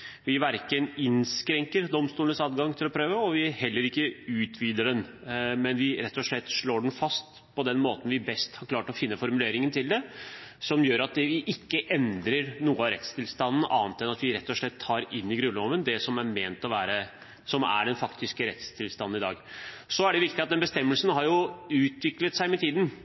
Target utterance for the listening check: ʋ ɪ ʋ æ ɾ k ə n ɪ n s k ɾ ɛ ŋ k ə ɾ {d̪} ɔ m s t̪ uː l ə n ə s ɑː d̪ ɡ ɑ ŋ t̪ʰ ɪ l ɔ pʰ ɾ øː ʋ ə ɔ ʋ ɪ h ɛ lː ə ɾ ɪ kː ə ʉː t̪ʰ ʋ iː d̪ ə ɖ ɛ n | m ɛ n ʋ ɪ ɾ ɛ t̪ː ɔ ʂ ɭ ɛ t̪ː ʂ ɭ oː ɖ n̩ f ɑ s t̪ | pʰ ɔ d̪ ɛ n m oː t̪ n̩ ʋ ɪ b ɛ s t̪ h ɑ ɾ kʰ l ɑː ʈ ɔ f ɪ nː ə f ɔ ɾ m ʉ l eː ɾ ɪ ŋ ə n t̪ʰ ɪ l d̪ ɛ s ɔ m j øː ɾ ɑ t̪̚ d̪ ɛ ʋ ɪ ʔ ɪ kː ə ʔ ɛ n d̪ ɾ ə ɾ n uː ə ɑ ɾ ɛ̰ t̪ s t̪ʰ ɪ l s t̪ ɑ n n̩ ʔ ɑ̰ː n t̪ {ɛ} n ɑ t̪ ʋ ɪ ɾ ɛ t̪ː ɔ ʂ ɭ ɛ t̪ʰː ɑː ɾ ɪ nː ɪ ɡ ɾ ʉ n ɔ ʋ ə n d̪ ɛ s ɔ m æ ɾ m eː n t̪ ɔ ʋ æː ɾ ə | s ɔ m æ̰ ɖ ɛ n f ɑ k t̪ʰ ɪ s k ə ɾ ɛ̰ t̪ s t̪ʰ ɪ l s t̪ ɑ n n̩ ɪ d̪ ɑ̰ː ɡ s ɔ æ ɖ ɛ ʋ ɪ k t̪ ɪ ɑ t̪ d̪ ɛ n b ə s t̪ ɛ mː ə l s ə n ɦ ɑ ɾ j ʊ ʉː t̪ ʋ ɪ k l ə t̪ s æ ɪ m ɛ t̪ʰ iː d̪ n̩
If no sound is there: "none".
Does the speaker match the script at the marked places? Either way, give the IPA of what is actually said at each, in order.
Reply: d̪, ɛ

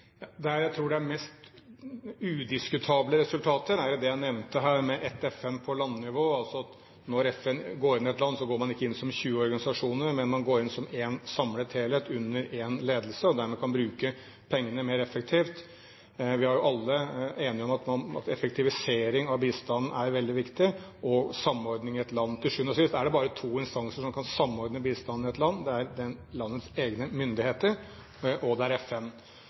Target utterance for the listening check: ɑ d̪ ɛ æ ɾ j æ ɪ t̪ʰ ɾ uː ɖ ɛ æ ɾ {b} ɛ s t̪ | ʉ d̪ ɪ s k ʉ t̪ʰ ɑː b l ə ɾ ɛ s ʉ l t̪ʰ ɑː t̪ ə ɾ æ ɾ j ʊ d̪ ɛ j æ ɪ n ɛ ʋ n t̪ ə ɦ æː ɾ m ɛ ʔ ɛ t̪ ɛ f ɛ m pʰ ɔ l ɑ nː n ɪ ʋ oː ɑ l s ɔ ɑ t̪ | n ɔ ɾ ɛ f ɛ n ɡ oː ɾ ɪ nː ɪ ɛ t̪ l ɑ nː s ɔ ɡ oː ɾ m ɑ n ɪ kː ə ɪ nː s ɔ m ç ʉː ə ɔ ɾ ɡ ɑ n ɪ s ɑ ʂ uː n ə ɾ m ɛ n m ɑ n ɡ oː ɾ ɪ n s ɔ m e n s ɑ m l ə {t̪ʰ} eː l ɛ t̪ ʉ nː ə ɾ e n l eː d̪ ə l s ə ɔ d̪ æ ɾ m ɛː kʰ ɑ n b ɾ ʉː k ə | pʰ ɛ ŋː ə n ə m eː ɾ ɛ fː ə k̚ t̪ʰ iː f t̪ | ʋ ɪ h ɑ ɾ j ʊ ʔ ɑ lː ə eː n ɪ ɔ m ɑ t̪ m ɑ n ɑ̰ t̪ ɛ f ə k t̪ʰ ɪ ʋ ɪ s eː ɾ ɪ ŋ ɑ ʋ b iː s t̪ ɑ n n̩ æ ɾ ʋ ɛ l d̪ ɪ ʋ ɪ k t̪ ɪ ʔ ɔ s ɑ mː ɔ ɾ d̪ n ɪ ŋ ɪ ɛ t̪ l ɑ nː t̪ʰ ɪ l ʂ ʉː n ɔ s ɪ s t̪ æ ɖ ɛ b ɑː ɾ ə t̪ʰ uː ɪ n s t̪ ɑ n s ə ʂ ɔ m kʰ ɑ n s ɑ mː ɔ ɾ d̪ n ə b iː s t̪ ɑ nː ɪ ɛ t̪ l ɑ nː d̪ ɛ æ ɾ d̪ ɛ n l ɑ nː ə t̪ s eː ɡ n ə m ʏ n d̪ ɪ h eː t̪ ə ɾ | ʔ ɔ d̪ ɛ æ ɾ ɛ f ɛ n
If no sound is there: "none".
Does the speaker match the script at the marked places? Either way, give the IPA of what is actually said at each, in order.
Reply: m, t̪ʰ

